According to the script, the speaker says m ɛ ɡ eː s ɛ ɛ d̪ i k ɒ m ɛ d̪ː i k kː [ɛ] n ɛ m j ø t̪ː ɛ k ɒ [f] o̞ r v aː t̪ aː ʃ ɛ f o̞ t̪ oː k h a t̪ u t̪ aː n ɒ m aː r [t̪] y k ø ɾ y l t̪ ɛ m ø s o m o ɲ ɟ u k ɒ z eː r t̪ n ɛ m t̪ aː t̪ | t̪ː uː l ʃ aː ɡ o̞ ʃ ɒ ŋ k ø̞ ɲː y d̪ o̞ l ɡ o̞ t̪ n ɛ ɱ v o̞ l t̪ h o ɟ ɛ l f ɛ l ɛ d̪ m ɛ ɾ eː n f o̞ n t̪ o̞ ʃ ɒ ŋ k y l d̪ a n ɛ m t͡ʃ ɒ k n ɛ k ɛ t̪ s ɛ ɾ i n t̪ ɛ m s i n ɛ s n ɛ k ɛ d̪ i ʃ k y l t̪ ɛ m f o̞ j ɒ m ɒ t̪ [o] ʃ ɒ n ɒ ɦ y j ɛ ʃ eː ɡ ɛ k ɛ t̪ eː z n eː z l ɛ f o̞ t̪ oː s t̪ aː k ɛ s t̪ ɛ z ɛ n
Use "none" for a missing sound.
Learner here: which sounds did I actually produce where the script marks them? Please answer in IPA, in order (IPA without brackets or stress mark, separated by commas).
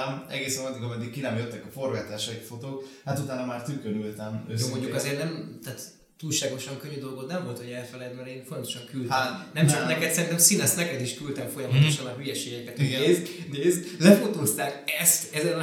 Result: i, f, t̪, o